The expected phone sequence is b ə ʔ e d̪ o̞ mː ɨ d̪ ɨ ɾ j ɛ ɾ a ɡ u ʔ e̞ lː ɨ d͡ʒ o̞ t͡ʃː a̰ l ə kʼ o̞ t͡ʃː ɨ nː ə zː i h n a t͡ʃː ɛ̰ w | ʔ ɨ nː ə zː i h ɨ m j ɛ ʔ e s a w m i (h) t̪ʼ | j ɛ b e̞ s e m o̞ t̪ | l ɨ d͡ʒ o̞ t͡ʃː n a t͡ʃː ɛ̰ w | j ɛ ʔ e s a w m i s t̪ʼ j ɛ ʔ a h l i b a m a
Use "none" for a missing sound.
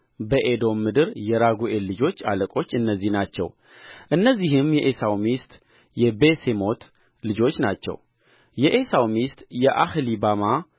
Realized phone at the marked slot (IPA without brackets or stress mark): s